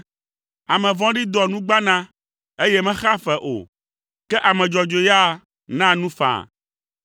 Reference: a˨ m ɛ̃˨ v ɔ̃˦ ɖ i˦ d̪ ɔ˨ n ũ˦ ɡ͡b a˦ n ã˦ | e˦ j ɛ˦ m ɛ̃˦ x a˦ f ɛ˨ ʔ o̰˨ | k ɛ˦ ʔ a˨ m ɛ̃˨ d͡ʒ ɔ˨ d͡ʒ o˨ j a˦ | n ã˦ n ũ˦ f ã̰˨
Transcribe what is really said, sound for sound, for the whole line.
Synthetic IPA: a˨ m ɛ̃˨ v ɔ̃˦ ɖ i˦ d̪ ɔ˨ n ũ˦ ɡ͡b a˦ n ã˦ | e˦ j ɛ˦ m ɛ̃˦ x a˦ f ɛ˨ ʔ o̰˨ | k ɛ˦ ʔ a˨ m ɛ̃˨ d͡ʒ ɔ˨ d͡ʒ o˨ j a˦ | n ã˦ n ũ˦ f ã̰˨